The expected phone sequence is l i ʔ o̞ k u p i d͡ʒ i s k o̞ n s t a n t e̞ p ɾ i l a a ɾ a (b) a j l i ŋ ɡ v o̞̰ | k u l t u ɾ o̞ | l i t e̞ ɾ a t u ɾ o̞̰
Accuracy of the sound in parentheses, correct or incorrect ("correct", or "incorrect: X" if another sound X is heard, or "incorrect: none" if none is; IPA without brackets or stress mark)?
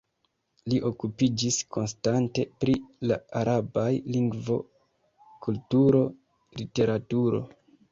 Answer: correct